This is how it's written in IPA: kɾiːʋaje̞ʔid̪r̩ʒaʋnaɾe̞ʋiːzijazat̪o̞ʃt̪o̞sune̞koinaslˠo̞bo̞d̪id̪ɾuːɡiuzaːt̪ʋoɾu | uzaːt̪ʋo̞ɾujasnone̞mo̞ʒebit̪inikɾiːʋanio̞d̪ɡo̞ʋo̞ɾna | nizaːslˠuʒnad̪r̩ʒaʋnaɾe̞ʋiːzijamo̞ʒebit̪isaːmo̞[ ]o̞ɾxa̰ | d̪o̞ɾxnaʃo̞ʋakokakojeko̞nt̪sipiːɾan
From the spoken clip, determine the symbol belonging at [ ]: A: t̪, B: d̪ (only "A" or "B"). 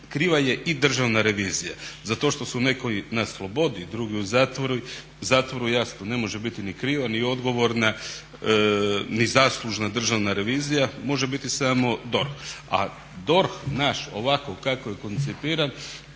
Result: B